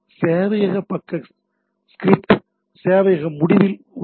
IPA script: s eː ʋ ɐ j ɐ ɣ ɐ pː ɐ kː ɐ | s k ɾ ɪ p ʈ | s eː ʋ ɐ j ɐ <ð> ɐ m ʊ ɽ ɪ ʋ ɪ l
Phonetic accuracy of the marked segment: incorrect: ɣ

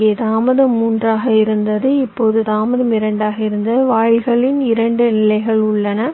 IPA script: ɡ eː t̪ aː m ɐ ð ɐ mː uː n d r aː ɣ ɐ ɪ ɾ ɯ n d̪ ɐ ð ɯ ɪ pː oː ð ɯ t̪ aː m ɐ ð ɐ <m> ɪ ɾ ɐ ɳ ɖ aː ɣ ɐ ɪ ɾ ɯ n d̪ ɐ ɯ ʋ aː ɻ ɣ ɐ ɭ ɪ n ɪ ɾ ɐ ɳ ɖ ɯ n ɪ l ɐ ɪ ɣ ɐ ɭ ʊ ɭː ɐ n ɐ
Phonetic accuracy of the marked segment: correct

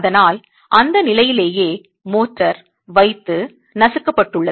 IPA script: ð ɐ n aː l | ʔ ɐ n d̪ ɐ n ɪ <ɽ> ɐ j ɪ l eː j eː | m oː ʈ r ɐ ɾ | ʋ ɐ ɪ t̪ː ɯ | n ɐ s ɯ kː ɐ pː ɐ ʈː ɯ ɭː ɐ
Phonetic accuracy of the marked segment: incorrect: l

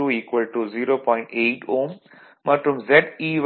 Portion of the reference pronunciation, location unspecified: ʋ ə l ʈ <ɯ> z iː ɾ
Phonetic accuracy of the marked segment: incorrect: u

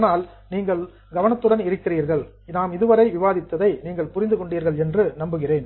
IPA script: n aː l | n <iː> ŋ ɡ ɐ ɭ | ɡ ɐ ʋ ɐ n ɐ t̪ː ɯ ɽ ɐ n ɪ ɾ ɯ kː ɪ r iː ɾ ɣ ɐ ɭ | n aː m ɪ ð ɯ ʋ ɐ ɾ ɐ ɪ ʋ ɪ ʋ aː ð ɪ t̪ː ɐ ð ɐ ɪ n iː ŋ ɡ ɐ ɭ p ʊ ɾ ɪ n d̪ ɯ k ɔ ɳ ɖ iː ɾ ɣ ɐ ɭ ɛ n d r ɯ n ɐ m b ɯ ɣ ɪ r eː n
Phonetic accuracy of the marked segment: correct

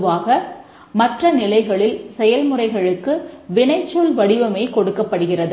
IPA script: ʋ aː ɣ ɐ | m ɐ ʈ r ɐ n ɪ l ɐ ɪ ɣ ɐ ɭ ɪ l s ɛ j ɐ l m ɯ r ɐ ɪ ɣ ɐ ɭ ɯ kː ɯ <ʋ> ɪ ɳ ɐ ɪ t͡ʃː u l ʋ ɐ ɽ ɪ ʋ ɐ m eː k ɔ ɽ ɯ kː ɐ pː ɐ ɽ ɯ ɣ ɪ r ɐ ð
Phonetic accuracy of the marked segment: correct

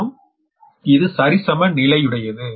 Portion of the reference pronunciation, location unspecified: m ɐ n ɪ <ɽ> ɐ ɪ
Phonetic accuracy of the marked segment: incorrect: l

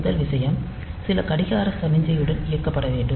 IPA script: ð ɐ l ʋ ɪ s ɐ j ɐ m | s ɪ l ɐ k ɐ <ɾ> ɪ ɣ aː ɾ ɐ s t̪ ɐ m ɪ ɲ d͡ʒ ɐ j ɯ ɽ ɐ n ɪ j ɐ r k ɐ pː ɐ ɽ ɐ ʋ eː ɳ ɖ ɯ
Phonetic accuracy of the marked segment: incorrect: ɽ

